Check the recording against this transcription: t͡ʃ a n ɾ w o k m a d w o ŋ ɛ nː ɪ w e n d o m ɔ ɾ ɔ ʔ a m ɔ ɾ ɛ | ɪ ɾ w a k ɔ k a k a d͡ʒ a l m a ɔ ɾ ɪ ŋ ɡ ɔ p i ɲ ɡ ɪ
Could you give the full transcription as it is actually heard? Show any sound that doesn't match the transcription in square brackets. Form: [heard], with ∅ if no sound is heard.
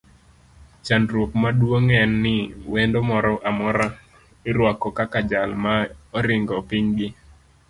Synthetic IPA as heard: t͡ʃ a n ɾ w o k m a d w o ŋ ɛ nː ɪ w e n d o m ɔ ɾ ɔ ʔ a m ɔ ɾ [a] | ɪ ɾ w a k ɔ k a k a d͡ʒ a l m a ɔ ɾ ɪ ŋ ɡ ɔ p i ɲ ɡ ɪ